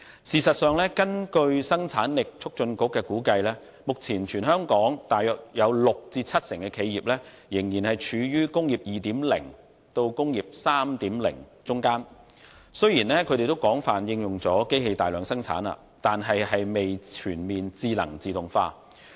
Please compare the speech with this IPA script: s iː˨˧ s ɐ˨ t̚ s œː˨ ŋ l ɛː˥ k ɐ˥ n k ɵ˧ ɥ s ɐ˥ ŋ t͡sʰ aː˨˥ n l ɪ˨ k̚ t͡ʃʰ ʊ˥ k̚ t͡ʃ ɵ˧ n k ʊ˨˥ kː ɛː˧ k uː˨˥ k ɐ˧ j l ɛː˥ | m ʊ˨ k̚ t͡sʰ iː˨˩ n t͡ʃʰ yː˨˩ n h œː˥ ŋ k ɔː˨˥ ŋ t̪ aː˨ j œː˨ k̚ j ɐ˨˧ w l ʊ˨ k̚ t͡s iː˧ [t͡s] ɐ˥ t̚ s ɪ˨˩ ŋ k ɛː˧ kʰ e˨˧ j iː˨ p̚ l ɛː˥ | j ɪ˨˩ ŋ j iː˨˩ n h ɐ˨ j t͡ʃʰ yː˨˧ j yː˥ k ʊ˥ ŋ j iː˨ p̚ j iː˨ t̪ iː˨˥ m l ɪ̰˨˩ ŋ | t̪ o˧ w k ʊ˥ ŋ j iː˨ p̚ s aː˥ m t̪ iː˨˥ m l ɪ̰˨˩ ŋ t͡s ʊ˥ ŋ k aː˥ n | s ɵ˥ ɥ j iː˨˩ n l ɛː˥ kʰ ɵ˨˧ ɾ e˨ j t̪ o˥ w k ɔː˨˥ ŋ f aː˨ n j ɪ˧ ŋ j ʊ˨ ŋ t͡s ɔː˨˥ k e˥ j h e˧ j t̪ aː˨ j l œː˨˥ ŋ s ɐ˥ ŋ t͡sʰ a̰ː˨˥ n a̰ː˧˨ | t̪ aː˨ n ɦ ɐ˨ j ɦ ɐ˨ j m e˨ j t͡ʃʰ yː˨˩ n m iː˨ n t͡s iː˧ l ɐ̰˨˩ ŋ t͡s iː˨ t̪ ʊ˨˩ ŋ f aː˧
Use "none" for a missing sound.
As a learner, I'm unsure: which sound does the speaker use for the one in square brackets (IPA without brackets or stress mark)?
t͡sʰ